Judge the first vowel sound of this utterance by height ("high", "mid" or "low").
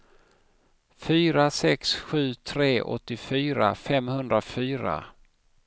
high